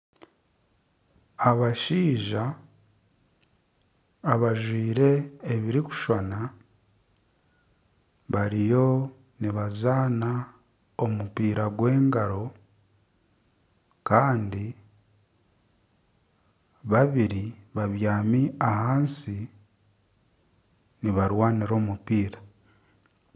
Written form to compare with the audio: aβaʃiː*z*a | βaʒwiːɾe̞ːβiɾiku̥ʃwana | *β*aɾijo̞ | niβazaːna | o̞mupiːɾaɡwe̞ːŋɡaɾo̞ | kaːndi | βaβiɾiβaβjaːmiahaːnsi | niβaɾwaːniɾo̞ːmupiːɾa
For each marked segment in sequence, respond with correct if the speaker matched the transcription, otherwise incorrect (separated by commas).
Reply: incorrect, correct